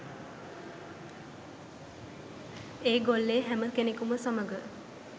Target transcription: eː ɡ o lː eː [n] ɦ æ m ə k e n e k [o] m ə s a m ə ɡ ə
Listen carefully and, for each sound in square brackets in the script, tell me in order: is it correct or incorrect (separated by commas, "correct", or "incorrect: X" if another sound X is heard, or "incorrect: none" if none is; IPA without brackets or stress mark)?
incorrect: none, incorrect: u